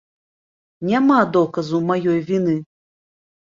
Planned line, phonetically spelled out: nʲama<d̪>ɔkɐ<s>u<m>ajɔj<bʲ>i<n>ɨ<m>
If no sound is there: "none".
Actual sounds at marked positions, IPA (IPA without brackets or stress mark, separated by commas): d̪, z, m, vʲ, n, none